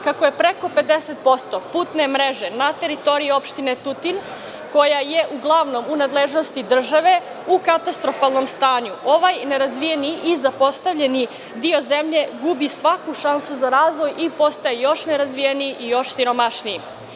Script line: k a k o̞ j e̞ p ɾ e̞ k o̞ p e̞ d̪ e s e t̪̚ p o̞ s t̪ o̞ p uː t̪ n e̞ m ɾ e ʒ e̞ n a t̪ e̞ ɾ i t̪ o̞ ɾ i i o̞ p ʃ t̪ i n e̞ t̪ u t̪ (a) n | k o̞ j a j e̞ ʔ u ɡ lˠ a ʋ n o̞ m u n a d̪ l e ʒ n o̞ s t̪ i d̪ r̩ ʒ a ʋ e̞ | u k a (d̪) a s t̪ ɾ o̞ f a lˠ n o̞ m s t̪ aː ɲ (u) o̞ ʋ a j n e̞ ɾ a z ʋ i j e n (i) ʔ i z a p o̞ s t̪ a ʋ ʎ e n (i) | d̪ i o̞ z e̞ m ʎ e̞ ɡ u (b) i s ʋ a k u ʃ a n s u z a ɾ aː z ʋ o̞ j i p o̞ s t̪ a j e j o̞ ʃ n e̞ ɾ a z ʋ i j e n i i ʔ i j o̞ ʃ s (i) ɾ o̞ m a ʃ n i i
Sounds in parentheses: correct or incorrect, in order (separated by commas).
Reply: incorrect, incorrect, correct, correct, correct, correct, correct